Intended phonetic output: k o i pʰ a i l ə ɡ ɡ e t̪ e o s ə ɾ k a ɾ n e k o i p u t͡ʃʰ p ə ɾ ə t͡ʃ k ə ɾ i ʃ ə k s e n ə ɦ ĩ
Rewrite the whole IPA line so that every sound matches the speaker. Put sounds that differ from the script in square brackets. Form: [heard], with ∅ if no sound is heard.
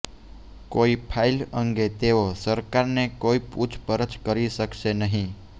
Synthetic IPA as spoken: k o i pʰ a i l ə [ŋ] ɡ e t̪ e o s ə ɾ k a ɾ n e k o i p u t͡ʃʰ p ə ɾ ə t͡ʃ k ə ɾ i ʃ ə k [ʃ] e n ə ɦ ĩ